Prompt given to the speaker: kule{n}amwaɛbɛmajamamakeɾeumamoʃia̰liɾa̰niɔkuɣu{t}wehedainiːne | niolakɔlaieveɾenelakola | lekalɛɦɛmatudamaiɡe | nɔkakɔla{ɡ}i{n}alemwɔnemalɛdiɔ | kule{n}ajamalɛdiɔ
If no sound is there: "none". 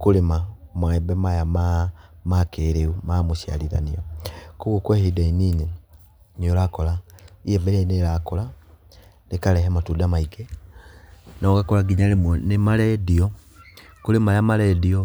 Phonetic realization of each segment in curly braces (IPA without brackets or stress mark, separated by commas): m, k, ɡ, ɲ, m